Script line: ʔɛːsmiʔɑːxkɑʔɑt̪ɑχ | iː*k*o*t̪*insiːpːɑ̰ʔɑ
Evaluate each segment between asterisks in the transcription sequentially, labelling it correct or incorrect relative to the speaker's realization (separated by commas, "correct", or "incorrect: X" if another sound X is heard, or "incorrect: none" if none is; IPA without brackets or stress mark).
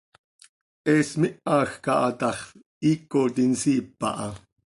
correct, correct